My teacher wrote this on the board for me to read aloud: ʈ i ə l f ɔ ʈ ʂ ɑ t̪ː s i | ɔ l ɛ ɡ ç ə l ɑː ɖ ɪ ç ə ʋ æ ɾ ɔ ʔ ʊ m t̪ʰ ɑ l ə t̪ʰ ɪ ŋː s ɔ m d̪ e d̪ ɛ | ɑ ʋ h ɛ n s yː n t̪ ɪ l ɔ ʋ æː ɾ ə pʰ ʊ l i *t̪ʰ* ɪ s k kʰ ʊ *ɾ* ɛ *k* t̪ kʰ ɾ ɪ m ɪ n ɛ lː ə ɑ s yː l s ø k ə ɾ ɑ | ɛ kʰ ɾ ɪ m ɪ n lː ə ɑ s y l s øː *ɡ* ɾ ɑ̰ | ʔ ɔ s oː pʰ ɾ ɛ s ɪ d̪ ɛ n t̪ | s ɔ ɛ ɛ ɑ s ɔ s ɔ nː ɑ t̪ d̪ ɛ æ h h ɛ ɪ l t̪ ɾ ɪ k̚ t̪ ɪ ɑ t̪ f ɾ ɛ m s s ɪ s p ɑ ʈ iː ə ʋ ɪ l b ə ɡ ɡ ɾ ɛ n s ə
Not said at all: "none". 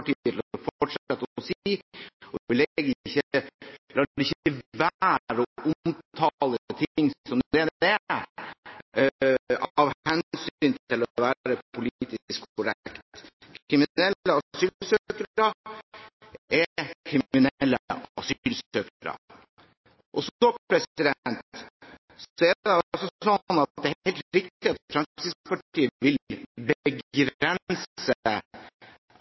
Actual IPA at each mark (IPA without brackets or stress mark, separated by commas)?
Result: t̪, ɾ, k, k